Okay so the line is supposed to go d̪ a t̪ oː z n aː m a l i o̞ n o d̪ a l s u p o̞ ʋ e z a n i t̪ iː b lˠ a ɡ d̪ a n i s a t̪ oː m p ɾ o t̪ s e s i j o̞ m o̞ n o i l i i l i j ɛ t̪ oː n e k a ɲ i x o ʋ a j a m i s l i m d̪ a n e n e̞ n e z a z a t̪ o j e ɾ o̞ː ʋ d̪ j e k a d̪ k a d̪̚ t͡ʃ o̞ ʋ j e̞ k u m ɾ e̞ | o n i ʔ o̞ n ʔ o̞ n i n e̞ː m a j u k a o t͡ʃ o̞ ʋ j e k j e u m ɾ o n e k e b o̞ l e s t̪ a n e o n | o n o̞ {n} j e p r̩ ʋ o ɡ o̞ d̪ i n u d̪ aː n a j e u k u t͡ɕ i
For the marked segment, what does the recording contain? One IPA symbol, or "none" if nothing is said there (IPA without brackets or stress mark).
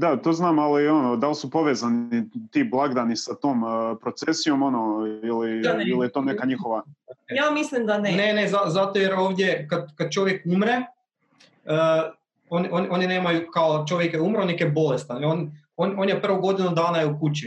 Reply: n